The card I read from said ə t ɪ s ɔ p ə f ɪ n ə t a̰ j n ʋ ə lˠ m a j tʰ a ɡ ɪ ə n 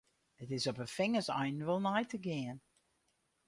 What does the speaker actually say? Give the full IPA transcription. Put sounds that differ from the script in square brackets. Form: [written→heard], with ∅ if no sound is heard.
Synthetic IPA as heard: ə t ɪ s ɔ p ə f ɪ [n→ŋ] ə [t→s] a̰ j n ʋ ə lˠ [m→n] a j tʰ [a→ə] ɡ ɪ ə n